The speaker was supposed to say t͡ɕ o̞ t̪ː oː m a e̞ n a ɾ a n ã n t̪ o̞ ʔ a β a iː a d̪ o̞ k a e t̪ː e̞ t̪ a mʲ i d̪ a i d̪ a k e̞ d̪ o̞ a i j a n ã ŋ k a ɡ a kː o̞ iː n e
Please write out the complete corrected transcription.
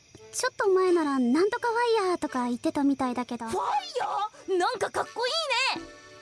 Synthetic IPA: t͡ɕ o̞ t̪ː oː m a e̞ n a ɾ a n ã n t̪ o̞ k a β a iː a t̪ o̞ k a i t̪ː e̞ t̪ a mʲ i t̪ a i d̪ a k e̞ d̪ o̞ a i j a n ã ŋ k a k a kː o̞ iː n e